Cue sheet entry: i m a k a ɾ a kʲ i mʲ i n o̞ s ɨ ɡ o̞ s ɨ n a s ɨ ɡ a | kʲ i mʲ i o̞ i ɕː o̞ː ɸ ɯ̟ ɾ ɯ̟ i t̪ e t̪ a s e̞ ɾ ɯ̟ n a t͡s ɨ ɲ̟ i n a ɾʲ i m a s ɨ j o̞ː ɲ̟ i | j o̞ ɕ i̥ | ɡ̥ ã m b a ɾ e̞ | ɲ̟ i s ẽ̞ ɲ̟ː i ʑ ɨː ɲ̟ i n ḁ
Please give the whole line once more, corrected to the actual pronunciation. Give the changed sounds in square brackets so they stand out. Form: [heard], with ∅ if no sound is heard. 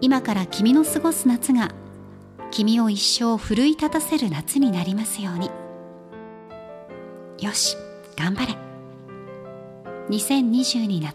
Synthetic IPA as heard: i m a k a ɾ a kʲ i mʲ i n o̞ s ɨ ɡ o̞ s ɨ n a [t͡s] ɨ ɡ a | kʲ i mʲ i o̞ i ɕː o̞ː ɸ ɯ̟ ɾ ɯ̟ i t̪ [a] t̪ a s e̞ ɾ ɯ̟ n a t͡s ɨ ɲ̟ i n a ɾʲ i m a s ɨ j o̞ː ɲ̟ i | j o̞ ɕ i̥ | ɡ̥ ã m b a ɾ e̞ | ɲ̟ i s ẽ̞ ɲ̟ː i ʑ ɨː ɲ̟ i n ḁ